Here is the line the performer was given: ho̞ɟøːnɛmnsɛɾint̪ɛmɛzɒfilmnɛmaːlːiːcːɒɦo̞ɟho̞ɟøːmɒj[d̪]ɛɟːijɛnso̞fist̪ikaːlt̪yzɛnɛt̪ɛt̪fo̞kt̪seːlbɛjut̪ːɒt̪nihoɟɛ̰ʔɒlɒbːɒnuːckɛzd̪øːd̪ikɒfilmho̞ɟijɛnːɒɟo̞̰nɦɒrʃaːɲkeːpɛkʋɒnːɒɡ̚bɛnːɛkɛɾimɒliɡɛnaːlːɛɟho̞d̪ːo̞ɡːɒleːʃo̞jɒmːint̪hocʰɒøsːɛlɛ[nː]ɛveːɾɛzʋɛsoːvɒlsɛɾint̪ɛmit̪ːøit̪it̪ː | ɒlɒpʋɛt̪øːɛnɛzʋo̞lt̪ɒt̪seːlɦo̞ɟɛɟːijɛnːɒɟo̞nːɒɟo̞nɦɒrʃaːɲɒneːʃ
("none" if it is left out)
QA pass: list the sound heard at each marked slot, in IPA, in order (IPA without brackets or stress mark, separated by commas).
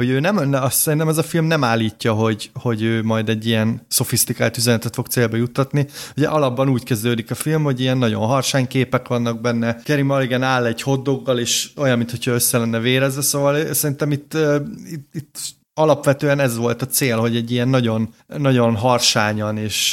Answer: d̪, nː